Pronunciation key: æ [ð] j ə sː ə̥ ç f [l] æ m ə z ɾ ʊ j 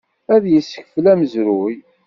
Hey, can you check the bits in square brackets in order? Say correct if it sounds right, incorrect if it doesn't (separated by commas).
correct, correct